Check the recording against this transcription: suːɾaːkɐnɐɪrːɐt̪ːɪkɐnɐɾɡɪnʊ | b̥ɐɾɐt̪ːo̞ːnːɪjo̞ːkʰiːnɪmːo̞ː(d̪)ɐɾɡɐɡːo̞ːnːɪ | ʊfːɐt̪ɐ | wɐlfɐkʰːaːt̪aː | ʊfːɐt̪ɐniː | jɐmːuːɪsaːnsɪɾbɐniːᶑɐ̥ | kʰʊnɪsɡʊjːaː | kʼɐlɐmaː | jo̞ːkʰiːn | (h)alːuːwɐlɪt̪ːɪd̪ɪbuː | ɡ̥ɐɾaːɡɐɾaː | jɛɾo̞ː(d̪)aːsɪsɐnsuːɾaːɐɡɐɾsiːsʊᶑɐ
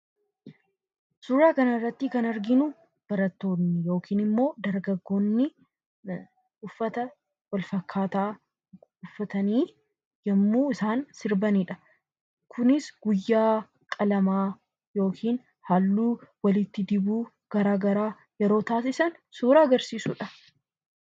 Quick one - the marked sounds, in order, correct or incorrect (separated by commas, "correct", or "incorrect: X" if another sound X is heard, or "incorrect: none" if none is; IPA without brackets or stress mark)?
correct, correct, incorrect: t̪